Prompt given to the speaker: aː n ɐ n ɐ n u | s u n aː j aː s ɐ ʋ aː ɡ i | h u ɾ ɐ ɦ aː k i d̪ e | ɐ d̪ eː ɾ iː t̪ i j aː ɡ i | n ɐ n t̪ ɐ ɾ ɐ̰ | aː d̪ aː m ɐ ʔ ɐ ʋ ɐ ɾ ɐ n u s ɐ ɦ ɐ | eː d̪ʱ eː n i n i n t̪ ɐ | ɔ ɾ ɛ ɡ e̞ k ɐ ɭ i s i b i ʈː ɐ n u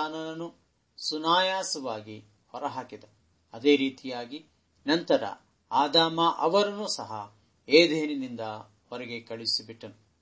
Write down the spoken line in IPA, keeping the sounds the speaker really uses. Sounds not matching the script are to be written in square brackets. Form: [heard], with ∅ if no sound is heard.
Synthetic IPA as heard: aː n ɐ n ɐ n u | s u n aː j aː s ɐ ʋ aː ɡ i | h [ɔ] ɾ ɐ ɦ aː k i d̪ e | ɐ d̪ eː ɾ iː t̪ i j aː ɡ i | n ɐ n t̪ ɐ ɾ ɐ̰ | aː d̪ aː m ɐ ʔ ɐ ʋ ɐ ɾ ɐ n u s ɐ ɦ ɐ | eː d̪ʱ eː n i n i n [d̪] ɐ | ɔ ɾ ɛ ɡ e̞ k ɐ ɭ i s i b i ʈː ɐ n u